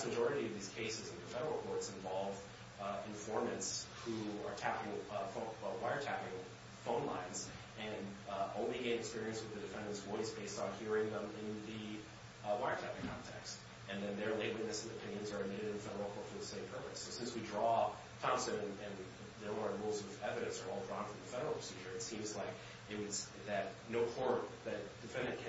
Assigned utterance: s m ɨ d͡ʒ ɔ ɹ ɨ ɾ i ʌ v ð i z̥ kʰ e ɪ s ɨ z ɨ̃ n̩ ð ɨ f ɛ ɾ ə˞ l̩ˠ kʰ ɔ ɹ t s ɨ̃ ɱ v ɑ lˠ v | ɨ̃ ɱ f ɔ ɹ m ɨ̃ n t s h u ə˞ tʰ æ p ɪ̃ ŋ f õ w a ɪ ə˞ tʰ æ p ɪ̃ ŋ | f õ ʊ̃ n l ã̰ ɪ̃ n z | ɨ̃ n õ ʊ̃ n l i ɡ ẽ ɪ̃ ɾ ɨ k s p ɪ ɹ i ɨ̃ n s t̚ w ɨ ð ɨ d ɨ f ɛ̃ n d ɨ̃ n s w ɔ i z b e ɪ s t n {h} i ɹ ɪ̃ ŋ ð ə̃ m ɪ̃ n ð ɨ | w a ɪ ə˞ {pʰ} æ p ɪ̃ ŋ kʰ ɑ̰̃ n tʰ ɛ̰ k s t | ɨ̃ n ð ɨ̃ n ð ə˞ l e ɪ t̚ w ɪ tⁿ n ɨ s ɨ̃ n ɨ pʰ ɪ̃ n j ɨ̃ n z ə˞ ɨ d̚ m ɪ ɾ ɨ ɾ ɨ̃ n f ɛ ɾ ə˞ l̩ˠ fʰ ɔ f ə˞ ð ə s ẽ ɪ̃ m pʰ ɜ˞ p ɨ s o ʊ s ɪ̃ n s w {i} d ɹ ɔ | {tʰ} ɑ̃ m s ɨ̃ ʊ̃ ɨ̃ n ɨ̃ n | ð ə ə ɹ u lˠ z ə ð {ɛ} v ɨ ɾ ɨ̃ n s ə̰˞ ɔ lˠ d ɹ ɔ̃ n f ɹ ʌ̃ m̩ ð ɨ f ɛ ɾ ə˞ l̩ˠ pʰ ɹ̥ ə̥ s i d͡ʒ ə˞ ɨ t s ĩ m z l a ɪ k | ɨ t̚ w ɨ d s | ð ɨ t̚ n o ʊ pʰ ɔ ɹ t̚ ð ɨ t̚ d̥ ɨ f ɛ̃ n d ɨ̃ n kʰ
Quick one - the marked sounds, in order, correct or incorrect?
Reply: correct, incorrect, correct, correct, correct

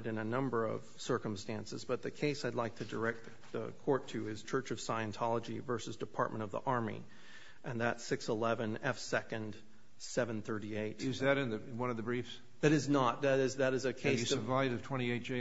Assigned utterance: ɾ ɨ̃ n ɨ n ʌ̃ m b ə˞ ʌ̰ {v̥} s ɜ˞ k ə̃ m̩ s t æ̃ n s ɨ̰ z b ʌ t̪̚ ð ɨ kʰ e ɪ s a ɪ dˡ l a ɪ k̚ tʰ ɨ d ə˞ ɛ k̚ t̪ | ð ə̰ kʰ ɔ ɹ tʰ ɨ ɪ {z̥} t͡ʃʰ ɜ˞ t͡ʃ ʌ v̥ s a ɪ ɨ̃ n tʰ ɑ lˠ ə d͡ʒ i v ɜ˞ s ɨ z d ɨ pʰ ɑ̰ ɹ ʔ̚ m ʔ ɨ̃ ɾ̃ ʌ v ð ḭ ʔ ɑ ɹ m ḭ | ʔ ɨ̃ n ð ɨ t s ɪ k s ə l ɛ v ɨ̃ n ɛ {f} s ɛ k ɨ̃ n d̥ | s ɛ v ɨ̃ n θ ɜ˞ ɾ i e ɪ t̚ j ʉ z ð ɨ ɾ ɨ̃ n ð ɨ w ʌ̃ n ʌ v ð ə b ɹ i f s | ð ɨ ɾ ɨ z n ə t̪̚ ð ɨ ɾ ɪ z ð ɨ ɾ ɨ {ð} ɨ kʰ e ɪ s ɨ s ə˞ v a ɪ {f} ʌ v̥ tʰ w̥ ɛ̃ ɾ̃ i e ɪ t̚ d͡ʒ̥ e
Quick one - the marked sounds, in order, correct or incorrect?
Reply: correct, correct, correct, incorrect, incorrect

